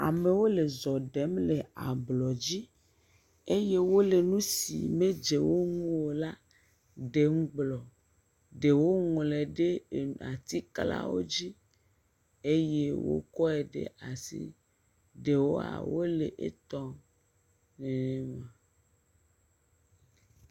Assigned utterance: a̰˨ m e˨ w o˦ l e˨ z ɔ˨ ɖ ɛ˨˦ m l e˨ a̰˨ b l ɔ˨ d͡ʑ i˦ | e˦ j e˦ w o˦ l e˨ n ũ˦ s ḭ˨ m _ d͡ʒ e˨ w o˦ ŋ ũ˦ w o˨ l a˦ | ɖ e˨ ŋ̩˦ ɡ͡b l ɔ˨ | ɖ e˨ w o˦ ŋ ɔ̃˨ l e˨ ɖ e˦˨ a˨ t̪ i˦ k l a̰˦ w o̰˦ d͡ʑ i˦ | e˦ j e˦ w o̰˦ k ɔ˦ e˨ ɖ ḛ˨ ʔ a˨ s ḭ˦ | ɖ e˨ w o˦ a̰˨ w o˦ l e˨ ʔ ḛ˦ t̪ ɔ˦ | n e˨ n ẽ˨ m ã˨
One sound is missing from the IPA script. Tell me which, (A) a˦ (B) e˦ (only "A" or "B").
B